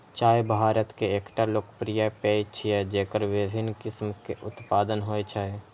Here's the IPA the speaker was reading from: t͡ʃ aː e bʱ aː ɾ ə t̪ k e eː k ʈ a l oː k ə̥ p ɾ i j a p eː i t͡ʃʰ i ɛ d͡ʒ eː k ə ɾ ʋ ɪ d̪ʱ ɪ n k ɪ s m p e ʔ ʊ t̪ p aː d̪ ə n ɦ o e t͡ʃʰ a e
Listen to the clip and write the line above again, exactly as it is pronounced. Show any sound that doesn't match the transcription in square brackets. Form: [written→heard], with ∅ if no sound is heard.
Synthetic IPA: t͡ʃ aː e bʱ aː ɾ ə t̪ k e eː k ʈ a l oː k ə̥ p ɾ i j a p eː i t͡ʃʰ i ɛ d͡ʒ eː k ə ɾ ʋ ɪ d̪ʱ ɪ n k ɪ s m [p→k] e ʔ ʊ t̪ p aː d̪ ə n ɦ o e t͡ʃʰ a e